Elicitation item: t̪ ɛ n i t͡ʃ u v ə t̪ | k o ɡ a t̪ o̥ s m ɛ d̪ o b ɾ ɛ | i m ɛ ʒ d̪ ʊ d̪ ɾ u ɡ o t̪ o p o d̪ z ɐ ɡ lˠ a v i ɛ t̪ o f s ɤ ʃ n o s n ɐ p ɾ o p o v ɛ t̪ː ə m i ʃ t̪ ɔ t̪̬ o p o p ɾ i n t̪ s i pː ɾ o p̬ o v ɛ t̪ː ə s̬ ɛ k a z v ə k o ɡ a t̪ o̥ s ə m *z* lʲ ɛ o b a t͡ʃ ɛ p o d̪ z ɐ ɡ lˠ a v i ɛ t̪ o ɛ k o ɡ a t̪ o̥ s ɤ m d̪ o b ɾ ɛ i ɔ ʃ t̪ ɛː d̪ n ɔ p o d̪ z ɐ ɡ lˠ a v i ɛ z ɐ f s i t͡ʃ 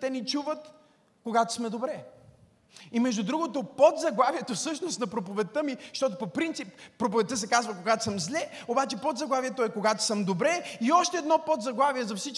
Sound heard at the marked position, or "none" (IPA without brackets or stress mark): z